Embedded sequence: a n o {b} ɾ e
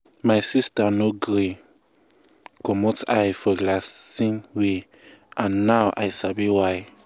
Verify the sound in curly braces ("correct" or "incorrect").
incorrect